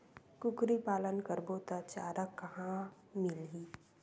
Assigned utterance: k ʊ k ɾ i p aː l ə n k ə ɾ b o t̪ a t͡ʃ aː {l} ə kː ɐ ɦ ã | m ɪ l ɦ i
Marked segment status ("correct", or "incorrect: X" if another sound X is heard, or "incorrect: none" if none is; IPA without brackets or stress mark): incorrect: ɾ